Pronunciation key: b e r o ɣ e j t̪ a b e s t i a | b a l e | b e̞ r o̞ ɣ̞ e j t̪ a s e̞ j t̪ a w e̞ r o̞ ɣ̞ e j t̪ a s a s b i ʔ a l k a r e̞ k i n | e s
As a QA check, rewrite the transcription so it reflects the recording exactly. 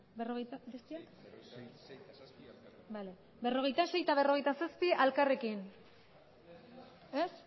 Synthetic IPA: b e r o ɣ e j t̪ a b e s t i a | b a l e | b e̞ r o̞ ɣ̞ e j t̪ a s e̞ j t̪ a β e̞ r o̞ ɣ̞ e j t̪ a s a s p i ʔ a l k a r e̞ k i n | e s